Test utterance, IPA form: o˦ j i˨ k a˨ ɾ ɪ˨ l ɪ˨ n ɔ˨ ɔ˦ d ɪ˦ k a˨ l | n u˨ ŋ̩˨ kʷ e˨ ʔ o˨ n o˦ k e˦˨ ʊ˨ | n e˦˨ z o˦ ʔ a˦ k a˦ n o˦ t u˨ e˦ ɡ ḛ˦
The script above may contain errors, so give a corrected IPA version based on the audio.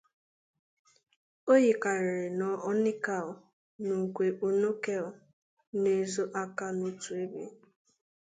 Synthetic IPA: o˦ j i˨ k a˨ ɾ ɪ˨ ɾ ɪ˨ n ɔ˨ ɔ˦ n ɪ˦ k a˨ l | n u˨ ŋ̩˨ kʷ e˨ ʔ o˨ n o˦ k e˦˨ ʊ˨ | n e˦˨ z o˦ ʔ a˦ k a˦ n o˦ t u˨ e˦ b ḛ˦